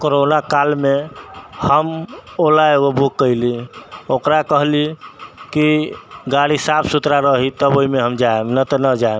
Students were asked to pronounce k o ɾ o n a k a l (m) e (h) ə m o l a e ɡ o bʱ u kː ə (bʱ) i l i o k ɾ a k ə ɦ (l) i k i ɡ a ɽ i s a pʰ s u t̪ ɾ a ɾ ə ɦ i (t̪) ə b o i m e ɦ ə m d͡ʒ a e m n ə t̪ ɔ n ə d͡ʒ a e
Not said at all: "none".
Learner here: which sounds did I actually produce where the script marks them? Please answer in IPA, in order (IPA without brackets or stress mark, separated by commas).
m, h, none, l, t̪